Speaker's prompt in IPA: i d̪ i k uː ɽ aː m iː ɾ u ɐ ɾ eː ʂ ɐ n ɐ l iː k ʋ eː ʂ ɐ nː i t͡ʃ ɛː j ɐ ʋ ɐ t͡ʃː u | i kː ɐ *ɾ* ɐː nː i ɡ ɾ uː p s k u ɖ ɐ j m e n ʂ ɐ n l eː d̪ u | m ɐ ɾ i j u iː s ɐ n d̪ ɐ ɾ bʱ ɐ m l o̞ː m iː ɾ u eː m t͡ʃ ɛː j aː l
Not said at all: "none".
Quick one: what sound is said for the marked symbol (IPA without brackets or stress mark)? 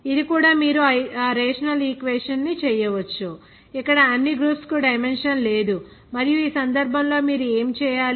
ɽ